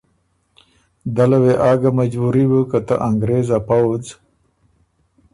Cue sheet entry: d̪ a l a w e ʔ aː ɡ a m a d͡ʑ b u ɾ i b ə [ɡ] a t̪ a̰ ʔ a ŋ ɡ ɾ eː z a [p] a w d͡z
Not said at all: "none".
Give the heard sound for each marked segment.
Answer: k, p

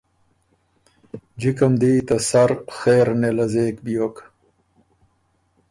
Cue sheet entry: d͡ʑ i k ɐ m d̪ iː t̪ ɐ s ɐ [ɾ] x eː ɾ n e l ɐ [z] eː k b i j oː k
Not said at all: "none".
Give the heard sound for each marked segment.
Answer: ɾ, z

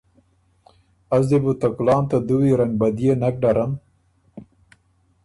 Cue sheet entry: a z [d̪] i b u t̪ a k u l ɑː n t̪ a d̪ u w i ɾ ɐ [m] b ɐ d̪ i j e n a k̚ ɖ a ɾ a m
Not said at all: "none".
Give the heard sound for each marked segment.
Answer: d̪, ŋ

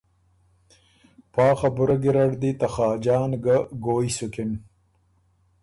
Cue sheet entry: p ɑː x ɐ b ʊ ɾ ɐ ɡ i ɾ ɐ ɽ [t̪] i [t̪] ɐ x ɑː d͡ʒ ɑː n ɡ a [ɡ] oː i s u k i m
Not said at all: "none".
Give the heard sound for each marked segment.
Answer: d̪, t̪, ɡ

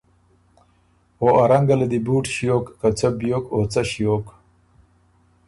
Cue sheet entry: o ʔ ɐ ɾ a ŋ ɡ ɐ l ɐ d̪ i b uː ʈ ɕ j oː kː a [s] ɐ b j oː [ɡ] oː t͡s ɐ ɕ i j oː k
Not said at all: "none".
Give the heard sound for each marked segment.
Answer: t͡s, k

